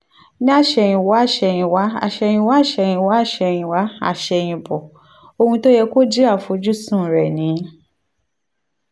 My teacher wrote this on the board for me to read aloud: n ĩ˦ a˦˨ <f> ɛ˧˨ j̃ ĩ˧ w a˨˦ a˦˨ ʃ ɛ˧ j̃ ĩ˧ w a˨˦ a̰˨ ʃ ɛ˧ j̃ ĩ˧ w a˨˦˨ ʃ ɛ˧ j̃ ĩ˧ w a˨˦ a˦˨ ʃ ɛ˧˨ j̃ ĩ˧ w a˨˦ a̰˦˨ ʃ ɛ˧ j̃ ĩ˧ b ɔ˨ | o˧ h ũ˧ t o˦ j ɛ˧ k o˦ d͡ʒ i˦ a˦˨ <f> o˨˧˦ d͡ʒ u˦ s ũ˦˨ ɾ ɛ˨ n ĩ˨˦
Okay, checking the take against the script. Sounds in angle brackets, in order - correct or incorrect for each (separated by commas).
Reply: incorrect, correct